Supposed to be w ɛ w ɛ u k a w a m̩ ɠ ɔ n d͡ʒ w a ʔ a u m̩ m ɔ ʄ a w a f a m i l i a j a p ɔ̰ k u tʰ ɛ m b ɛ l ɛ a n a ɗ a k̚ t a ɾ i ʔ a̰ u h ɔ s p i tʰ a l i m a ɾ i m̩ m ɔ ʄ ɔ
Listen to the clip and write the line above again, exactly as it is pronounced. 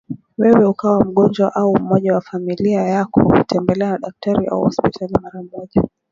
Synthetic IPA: w ɛ w ɛ u k a w a m̩ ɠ ɔ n d͡ʒ w a ʔ a u m̩ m ɔ ʄ a w a f a m i l i a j a k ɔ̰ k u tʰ ɛ m b ɛ l ɛ a n a ɗ a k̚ t a ɾ i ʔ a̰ u h ɔ s p i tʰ a l i m a ɾ a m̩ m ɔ ʄ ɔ